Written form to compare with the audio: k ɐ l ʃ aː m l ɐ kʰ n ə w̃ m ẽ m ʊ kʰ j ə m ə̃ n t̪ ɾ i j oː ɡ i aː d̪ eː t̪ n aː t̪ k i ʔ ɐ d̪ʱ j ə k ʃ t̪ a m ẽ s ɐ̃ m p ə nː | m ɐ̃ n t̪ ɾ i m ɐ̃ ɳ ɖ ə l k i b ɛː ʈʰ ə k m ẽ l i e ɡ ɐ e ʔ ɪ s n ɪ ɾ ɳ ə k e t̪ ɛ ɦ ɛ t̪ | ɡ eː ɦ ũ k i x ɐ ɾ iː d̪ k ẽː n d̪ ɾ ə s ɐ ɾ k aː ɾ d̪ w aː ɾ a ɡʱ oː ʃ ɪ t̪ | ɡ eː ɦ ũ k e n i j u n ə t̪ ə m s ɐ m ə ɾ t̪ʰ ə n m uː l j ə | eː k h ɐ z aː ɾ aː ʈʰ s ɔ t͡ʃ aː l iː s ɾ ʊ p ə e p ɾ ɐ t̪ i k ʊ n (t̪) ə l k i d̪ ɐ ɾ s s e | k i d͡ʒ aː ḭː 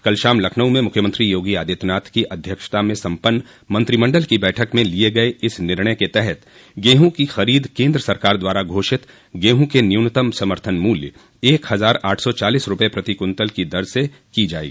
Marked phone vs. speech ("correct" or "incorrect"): correct